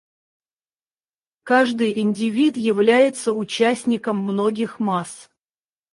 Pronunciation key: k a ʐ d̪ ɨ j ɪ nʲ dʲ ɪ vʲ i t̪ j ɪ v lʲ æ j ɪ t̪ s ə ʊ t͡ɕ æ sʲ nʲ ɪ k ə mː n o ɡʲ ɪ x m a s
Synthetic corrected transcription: k a ʐ d̪ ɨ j ɪ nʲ dʲ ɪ vʲ i t̪ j ɪ v lʲ æ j ɪ t̪ s ə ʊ t͡ɕ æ sʲ nʲ ɪ k ə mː n o ɡʲ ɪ x m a s